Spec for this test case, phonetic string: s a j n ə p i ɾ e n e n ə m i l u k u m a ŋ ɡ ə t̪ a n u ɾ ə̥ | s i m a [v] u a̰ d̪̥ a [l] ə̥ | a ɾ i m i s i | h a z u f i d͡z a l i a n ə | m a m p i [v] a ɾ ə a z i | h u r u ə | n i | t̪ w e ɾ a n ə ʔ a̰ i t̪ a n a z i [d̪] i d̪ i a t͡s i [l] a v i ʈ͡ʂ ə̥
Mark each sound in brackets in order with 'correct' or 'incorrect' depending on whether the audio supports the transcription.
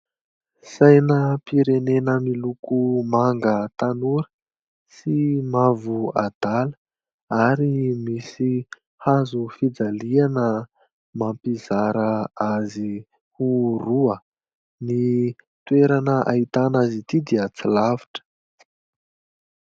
correct, correct, incorrect: z, incorrect: t̪, correct

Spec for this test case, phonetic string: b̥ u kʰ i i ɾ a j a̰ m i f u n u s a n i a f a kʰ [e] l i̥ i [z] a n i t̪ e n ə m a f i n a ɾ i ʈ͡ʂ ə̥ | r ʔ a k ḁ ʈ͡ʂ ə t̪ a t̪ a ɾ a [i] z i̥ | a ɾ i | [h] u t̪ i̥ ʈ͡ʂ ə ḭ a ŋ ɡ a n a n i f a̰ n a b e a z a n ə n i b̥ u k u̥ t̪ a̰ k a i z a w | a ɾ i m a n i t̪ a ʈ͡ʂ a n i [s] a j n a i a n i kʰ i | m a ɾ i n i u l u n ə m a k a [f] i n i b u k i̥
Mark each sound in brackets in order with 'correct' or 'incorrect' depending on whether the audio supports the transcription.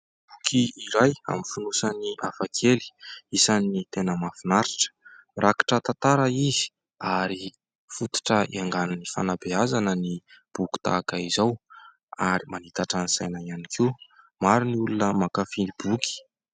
correct, incorrect: s, correct, incorrect: f, correct, correct

